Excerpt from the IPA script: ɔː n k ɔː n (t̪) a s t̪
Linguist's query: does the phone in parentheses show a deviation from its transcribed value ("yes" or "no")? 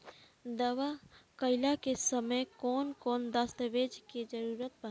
yes